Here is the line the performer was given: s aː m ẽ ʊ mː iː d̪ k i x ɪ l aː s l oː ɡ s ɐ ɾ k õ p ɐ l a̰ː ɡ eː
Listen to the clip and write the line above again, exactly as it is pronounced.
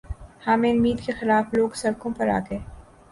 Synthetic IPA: h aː m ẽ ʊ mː iː d̪ k e x ɪ l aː f l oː ɡ s ɐ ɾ k õ p ɐ ɾ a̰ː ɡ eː